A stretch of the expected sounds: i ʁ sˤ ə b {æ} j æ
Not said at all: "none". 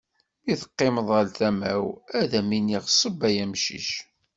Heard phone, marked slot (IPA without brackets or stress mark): æ